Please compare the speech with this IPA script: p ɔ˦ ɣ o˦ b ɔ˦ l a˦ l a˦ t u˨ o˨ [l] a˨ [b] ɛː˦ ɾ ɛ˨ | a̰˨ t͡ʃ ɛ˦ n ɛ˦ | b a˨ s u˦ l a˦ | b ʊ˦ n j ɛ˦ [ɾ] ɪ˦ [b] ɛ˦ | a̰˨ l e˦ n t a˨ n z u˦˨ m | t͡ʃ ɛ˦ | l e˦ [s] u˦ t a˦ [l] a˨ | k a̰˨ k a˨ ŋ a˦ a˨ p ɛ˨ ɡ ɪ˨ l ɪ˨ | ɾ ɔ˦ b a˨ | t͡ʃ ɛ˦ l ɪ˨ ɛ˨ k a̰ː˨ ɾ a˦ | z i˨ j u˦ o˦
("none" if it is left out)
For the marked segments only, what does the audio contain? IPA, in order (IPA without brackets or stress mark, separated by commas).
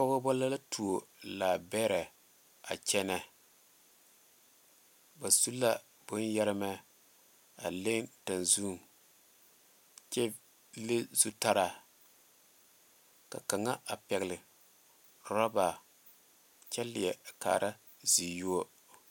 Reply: l, b, ɾ, m, z, ɾ